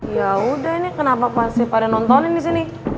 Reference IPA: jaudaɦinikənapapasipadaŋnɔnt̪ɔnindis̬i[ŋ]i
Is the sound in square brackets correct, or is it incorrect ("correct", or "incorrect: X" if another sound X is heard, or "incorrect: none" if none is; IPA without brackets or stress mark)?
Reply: incorrect: n